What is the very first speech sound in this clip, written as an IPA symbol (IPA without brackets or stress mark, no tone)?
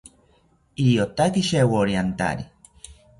i